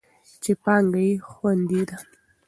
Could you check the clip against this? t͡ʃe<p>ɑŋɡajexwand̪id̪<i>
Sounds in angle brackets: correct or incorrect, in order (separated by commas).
correct, incorrect